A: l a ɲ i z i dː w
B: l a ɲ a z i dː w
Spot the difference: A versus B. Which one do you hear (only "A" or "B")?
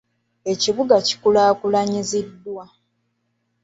A